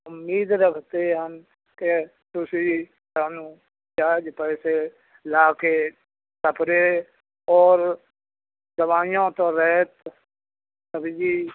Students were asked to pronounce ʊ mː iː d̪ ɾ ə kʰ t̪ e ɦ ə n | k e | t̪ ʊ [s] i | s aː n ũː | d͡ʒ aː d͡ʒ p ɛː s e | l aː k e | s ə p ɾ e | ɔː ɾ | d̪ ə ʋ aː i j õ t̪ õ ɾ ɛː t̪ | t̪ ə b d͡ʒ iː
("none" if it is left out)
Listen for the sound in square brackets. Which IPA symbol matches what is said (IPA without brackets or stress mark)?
s